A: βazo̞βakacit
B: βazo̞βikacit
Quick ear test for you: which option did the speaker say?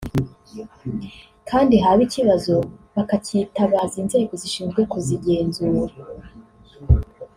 A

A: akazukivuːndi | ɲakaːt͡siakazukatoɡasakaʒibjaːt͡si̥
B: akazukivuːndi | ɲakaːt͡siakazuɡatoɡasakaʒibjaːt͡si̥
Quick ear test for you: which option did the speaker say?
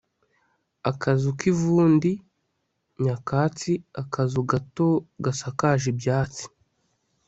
B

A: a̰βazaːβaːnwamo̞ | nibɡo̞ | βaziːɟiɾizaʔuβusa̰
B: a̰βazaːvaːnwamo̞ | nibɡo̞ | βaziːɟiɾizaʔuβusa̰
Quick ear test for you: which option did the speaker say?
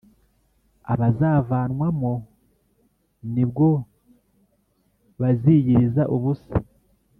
B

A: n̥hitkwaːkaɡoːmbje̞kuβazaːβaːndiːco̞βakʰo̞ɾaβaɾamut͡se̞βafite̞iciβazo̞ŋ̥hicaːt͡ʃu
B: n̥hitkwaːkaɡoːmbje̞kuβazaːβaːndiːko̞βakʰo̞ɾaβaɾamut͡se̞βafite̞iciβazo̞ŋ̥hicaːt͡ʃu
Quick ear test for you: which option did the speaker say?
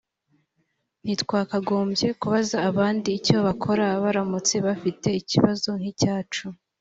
A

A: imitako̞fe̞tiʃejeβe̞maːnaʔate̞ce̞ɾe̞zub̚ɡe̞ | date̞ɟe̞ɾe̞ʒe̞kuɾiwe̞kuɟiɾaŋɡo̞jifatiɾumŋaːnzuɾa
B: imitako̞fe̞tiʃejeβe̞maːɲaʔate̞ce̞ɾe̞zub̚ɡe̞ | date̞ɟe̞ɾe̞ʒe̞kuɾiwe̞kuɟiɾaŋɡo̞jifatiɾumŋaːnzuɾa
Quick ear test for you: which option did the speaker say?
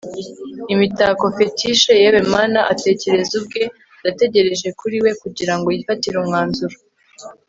A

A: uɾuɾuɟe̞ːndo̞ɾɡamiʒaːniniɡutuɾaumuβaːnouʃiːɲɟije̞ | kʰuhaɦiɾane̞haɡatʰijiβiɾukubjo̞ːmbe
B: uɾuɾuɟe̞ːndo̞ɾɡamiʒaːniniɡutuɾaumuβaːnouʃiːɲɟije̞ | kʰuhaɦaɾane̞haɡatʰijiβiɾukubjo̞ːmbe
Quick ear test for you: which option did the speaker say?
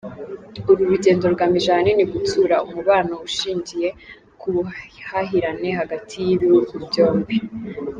A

